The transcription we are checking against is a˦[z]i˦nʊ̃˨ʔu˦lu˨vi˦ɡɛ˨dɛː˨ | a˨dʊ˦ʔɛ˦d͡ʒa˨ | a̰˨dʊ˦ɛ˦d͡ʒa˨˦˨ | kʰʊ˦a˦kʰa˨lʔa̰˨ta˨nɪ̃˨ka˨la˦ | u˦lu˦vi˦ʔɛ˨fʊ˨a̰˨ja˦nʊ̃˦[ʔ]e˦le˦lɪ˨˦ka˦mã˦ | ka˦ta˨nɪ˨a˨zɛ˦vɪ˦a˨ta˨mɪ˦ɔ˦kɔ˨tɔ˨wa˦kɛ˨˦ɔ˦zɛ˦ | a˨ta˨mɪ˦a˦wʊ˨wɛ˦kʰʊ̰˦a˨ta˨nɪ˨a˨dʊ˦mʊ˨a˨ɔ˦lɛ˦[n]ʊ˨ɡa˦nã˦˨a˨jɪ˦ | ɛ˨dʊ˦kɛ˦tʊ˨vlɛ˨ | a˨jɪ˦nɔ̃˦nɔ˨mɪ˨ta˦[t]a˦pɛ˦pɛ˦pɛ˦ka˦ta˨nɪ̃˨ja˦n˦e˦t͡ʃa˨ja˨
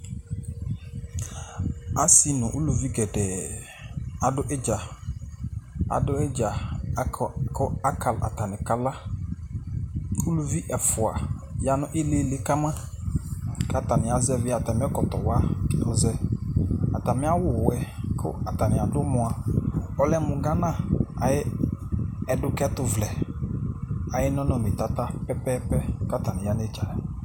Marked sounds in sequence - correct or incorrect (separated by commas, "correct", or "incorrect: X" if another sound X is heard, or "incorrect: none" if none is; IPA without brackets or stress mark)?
incorrect: s, correct, incorrect: m, correct